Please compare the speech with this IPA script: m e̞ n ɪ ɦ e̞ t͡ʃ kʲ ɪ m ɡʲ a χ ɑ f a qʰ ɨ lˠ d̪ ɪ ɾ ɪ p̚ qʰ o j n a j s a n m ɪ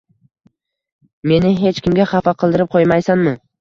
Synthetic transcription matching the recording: m e̞ n ɪ ɦ e̞ t͡ʃ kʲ ɪ m ɡʲ a χ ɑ f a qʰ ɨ lˠ d̪ ɪ ɾ ɪ p̚ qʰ o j m a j s a n m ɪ